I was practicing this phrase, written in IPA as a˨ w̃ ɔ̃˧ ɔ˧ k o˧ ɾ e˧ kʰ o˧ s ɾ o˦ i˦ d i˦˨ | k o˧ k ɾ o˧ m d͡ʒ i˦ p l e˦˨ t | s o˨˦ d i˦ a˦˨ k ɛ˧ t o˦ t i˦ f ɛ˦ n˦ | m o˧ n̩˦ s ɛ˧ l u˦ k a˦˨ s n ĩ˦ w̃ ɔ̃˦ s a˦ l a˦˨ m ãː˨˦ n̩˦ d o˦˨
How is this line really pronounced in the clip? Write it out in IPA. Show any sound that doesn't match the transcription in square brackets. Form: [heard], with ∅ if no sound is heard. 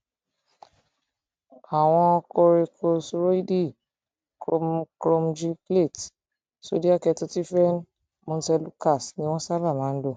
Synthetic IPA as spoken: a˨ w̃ ɔ̃˧ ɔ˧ k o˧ ɾ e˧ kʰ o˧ s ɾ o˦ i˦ d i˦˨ | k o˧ k ɾ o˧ m d͡ʒ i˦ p l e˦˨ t | s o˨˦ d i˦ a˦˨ k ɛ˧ t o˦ t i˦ f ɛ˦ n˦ | m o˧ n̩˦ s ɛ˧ l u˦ k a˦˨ s n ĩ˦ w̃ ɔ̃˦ s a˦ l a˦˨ m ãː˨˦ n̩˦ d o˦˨

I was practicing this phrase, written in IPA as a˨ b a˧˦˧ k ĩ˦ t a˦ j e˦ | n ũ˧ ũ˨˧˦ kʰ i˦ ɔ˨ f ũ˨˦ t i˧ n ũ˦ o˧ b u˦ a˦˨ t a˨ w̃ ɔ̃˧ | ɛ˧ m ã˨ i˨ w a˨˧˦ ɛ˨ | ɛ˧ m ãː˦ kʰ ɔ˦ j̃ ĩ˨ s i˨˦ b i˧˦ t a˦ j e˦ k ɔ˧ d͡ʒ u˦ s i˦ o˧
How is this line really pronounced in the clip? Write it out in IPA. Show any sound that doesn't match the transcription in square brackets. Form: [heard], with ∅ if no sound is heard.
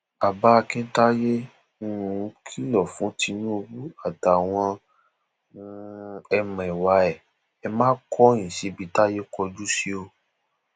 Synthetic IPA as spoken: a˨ b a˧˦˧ k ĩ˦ t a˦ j e˦ | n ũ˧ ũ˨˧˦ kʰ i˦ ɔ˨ f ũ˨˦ t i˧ n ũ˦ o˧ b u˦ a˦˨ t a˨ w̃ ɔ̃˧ | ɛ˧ m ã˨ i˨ w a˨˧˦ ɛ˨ | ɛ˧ m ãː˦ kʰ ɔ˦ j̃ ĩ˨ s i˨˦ b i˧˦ t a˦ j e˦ k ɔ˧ d͡ʒ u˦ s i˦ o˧

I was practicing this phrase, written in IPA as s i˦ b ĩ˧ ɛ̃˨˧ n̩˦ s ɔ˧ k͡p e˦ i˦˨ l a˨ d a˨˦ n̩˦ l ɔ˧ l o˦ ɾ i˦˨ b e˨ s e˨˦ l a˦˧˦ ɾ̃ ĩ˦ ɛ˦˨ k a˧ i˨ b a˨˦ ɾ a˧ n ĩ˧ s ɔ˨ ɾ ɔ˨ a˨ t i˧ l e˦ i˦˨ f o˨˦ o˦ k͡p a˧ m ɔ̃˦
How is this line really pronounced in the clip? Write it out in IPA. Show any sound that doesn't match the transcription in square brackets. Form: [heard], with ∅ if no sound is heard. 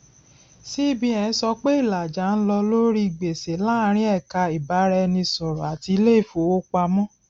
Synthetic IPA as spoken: s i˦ b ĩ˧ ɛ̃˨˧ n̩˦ s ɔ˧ k͡p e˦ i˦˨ l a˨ [d͡ʒ] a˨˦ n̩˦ l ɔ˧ l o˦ ɾ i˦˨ [ɡ͡b] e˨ s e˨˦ l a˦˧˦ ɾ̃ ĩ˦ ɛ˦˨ k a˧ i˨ b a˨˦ ɾ [ɛ˧] n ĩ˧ s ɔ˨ ɾ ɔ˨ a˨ t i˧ l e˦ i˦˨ f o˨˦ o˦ k͡p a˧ m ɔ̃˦

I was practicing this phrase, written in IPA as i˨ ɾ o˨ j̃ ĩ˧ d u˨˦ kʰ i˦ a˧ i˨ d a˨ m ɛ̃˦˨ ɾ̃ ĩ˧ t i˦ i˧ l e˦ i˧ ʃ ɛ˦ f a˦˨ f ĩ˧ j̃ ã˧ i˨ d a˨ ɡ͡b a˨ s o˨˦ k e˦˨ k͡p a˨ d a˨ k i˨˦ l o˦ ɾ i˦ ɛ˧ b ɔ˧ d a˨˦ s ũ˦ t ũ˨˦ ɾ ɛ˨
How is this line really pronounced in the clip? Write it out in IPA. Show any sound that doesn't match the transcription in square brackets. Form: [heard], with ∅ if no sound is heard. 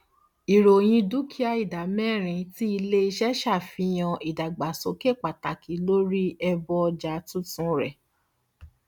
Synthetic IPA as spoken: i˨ ɾ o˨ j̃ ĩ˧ d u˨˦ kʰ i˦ a˧ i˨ d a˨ m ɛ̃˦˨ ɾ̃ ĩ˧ t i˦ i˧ l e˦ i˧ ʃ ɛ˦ [ʃ] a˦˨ f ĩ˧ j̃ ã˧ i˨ d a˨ ɡ͡b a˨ s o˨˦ k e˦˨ k͡p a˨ [t] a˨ k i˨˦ l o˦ ɾ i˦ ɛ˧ b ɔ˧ [d͡ʒ] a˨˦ [t] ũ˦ t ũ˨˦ ɾ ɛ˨

